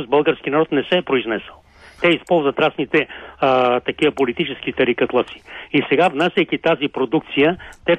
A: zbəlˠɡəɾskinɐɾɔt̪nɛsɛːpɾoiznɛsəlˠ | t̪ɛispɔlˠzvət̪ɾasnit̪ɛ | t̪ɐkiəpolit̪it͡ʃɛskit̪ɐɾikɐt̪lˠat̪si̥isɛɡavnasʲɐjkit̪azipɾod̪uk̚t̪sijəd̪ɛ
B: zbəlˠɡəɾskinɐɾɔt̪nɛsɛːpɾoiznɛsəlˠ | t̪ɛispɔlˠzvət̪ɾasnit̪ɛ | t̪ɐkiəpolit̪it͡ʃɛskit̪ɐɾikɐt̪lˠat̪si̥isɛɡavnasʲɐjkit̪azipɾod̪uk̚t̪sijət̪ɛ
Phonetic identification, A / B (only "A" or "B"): B